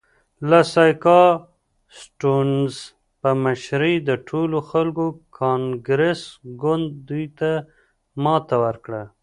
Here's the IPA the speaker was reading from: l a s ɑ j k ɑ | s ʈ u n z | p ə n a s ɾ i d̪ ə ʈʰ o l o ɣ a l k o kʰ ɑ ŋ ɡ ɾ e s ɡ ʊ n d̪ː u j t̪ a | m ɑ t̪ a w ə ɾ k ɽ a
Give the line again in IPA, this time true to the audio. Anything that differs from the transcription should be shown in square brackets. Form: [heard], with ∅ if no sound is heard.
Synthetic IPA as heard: l a s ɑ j k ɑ | s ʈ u n z | p ə [m] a [ʃ] ɾ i d̪ ə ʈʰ o l o [x] a l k o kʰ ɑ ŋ ɡ ɾ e s ɡ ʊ n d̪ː u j t̪ a | m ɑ t̪ a w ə ɾ k ɽ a

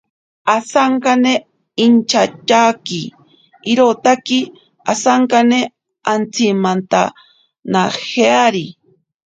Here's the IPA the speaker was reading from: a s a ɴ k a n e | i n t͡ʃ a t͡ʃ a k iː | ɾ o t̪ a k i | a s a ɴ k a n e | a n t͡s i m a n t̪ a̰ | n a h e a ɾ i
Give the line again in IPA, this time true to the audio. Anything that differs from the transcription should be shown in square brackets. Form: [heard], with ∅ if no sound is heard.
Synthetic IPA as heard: a s a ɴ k a n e | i n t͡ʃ a t͡ʃ a k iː | ɾ o t̪ a k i | a s a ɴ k a n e | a n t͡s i m a n t̪ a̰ | n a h e a ɾ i

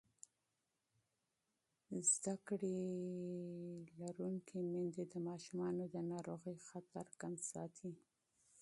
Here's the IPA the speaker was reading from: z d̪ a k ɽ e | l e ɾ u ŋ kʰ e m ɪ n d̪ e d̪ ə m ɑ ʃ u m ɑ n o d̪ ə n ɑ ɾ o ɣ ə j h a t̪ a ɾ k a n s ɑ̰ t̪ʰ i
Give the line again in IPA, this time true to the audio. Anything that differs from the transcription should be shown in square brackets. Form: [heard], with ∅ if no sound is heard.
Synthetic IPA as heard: z d̪ a k ɽ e | l [a] ɾ u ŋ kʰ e m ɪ n d̪ e d̪ ə m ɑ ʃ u m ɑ n o d̪ ə n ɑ ɾ o ɣ ə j [x] a t̪ a ɾ k a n s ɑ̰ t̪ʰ i

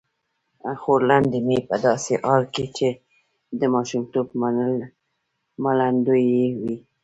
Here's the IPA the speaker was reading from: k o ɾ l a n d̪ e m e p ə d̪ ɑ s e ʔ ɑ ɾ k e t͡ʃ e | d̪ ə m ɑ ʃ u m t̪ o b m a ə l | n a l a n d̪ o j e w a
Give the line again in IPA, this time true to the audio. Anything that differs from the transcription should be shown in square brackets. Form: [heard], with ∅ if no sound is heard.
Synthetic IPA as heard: [x] o ɾ l a n d̪ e m e p ə d̪ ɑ s e ʔ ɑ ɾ k e t͡ʃ e | d̪ ə m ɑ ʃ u m t̪ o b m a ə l | [m] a l a n d̪ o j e w [i]

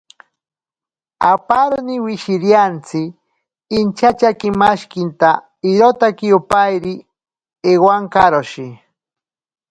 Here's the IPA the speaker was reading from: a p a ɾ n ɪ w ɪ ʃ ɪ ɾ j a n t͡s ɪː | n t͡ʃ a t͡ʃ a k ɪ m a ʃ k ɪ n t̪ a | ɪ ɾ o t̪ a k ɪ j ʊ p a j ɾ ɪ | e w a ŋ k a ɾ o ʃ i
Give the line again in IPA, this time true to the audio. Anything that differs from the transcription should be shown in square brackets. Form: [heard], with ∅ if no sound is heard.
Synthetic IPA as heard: a p a ɾ n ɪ w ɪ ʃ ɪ ɾ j a n t͡s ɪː | n t͡ʃ a t͡ʃ a k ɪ m a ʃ k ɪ n t̪ a | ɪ ɾ o t̪ a k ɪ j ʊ p a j ɾ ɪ | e w a ŋ k a ɾ o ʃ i

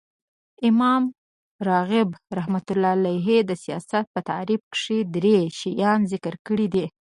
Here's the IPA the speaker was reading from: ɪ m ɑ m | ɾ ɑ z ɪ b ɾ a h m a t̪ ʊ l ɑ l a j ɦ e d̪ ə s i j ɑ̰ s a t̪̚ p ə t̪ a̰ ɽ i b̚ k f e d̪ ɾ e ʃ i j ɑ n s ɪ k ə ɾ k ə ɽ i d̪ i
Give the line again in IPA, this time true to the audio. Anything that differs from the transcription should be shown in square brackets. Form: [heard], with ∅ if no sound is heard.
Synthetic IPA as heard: ɪ m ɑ m | ɾ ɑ [ɣ] ɪ b ɾ a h m a t̪ ʊ l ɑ l a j ɦ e d̪ ə s i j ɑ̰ s a t̪̚ p ə t̪ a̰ [ɾ] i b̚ k [ʂ] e d̪ ɾ e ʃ i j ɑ n [z] ɪ k ə ɾ k ə ɽ i d̪ i

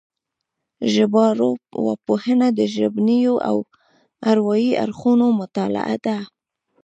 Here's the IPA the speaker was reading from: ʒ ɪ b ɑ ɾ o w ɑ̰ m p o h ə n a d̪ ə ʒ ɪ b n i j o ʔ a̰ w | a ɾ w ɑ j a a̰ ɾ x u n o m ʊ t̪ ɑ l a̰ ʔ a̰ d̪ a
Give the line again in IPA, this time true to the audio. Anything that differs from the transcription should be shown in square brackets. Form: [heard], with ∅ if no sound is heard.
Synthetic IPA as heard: ʒ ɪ b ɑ ɾ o w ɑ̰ [∅] p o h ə n a d̪ ə ʒ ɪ b n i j o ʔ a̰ w | a ɾ w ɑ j [i] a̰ ɾ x u n o m ʊ t̪ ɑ l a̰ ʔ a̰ d̪ a

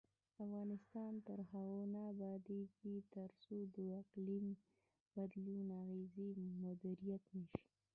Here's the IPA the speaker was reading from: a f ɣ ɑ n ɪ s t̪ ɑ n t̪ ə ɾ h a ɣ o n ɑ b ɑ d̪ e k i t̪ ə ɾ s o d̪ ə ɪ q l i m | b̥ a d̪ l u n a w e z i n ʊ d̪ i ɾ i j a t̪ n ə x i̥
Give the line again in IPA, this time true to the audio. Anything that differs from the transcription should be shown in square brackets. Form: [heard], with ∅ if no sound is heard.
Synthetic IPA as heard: a f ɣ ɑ n ɪ s t̪ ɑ n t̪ ə ɾ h a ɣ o n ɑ b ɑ d̪ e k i t̪ ə ɾ s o d̪ ə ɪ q l i m | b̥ a d̪ l u n a [ɣ] e z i [m] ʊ d̪ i ɾ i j a t̪ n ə [ʃ] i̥

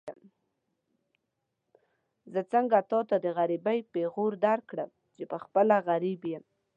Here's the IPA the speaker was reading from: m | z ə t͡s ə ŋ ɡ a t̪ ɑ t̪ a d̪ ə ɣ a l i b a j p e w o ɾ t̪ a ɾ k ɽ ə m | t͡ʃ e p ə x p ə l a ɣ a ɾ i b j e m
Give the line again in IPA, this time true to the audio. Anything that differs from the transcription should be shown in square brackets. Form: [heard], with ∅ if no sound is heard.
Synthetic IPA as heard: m | z ə t͡s ə ŋ ɡ a t̪ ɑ t̪ a d̪ ə ɣ a [ɾ] i b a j p e [ɣ] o ɾ [d̪] a ɾ k ɽ ə m | t͡ʃ e p ə x p ə l a ɣ a ɾ i b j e m

